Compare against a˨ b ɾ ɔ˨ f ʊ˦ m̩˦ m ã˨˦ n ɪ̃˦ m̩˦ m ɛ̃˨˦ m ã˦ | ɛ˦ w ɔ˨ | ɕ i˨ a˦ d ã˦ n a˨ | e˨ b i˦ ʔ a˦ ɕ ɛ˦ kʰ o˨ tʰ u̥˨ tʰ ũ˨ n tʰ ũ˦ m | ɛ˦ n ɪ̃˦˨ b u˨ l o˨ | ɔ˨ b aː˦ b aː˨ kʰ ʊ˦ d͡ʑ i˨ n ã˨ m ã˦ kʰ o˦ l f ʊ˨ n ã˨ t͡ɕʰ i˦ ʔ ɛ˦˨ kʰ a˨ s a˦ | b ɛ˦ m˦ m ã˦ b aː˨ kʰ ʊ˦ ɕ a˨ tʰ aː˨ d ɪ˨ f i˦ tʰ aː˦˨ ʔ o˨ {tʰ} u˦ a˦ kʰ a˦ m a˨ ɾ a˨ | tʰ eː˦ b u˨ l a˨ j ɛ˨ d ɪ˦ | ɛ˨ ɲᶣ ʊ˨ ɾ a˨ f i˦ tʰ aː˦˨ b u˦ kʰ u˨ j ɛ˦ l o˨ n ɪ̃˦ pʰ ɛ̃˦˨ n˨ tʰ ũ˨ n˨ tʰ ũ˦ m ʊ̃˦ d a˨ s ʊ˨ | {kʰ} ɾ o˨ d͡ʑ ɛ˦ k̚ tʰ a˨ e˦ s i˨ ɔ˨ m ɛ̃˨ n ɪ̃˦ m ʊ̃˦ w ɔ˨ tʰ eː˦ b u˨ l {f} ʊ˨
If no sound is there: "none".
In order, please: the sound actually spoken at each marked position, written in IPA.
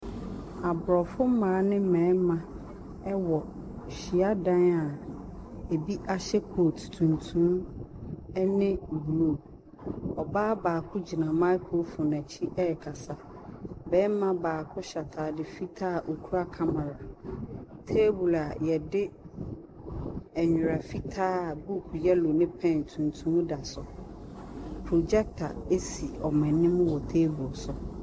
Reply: kʰ, pʰ, s

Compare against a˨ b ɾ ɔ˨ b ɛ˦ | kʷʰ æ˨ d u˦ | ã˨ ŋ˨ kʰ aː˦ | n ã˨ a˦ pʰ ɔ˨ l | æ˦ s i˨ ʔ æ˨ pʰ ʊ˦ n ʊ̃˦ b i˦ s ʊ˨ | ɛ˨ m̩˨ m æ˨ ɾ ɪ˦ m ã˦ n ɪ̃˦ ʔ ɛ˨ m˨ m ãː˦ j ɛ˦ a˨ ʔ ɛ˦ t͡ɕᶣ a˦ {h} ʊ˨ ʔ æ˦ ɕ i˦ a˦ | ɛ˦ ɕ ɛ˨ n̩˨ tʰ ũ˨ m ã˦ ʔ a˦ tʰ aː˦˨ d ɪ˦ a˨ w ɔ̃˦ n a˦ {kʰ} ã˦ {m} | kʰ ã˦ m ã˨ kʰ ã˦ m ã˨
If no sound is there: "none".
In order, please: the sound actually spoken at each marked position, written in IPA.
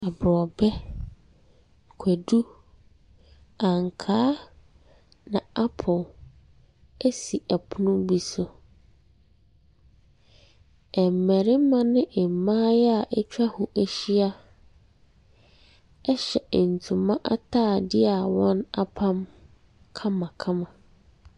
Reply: h, pʰ, m

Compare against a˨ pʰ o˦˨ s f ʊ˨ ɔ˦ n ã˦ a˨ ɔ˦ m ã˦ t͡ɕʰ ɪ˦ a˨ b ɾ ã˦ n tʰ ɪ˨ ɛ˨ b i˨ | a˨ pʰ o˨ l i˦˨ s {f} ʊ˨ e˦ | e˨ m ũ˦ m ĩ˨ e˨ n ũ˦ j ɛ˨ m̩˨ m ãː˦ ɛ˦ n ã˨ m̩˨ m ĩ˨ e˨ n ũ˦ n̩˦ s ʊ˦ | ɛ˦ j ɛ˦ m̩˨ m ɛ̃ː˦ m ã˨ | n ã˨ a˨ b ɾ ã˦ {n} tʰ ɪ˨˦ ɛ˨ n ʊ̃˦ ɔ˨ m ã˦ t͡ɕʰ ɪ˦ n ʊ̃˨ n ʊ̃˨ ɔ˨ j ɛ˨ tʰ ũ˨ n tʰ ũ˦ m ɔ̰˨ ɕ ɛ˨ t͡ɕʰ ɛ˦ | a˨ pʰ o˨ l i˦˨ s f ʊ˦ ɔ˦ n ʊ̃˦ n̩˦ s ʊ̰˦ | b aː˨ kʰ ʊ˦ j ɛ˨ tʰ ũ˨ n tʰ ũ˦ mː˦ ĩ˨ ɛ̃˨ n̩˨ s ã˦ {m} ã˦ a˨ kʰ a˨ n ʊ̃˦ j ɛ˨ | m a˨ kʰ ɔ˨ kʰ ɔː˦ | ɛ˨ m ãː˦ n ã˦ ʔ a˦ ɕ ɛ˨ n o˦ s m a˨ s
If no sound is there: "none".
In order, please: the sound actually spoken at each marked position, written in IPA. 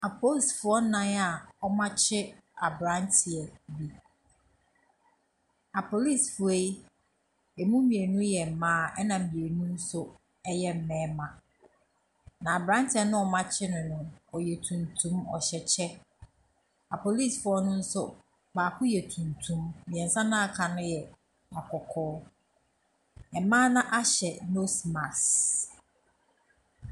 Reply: f, n, n

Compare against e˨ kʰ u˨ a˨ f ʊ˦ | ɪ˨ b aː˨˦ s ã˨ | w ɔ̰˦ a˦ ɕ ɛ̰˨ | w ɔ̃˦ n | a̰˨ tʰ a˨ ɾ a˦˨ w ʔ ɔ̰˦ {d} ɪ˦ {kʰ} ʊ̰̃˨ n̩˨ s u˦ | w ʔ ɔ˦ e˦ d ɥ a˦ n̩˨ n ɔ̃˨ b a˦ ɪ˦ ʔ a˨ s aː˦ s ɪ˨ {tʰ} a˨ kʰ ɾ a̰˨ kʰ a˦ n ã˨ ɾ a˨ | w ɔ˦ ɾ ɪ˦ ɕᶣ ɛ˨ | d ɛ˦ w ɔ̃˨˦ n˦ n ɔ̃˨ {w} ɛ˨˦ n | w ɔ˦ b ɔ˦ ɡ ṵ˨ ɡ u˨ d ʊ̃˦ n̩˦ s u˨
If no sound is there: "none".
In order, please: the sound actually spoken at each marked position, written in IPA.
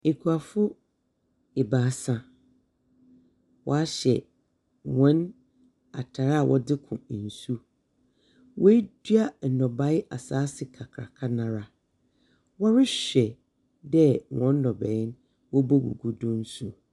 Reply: d, kʰ, kʰ, b

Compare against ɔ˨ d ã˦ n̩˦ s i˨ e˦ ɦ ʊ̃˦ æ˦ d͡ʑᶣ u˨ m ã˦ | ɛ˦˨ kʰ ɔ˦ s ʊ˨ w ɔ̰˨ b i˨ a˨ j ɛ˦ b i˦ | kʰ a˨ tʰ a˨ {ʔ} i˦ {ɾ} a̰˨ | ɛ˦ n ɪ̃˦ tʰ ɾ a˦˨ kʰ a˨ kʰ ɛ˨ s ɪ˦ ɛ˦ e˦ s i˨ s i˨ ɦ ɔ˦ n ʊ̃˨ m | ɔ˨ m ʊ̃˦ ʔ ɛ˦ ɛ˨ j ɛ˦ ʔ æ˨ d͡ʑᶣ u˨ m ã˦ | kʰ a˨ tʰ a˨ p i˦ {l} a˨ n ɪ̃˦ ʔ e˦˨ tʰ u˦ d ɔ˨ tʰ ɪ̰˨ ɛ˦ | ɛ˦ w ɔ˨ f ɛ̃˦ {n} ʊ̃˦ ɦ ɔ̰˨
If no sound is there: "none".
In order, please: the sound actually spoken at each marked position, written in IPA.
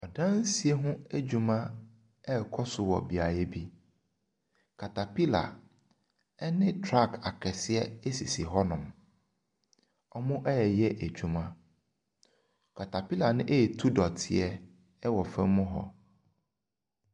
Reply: p, l, l, m

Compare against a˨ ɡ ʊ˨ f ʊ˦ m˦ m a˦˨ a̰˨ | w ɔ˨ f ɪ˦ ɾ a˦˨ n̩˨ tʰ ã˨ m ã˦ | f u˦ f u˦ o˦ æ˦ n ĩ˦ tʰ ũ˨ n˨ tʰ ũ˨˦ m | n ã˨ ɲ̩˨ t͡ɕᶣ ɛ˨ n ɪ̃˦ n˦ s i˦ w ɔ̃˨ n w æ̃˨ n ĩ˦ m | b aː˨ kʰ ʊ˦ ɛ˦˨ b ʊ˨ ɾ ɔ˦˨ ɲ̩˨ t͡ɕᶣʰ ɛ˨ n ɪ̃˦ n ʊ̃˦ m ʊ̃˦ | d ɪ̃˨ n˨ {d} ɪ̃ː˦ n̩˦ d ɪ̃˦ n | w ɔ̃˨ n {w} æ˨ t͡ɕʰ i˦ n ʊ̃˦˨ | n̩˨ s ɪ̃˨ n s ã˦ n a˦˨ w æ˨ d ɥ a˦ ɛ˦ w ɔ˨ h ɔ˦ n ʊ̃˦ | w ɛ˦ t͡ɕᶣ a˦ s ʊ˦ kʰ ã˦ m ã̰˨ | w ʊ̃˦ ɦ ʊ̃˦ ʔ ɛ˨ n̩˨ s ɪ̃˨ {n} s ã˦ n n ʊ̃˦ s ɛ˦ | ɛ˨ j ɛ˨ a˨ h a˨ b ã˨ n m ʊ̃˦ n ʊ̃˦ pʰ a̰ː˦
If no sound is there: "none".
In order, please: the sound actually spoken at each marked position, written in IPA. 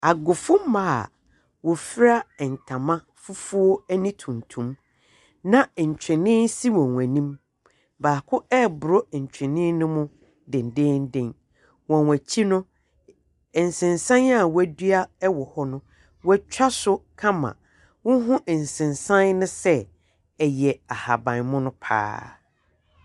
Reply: d, w, n

